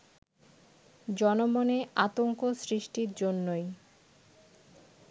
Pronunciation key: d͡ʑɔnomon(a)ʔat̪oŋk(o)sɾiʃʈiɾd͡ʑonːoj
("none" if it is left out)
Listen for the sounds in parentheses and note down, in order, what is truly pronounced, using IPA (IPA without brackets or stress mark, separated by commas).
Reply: e, o